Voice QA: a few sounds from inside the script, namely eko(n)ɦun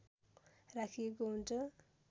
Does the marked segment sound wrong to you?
yes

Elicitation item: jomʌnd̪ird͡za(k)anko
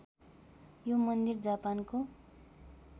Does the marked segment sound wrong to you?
yes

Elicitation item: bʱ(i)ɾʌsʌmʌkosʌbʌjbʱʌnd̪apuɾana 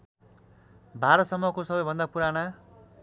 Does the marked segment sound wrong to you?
yes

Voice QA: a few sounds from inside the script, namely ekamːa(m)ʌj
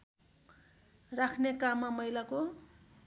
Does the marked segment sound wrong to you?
no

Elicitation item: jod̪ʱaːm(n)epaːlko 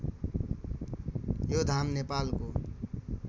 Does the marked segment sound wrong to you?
no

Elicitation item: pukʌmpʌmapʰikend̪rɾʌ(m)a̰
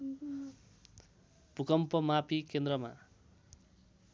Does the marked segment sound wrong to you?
no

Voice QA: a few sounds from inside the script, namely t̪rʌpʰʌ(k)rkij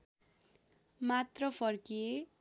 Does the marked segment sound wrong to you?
yes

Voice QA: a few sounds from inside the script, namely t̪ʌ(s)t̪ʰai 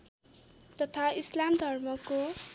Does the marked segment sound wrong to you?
yes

